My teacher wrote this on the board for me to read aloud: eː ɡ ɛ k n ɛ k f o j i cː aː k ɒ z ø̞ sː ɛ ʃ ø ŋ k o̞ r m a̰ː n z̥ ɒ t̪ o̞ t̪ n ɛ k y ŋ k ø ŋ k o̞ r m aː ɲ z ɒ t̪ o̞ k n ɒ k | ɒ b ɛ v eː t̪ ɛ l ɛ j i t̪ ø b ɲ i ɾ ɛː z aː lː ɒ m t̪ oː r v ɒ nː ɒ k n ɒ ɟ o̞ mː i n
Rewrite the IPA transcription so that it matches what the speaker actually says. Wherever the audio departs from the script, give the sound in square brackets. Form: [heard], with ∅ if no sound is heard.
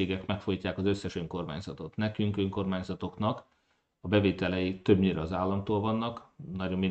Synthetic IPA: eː ɡ ɛ k [m] ɛ k f o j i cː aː k ɒ z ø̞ sː ɛ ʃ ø ŋ k o̞ r m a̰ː [ɲ] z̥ ɒ t̪ o̞ t̪ n ɛ k y ŋ k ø ŋ k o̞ r m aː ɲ z ɒ t̪ o̞ k n ɒ k | ɒ b ɛ v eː t̪ ɛ l ɛ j i t̪ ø b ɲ i ɾ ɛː z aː lː ɒ m t̪ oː [l] v ɒ nː ɒ k n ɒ ɟ o̞ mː i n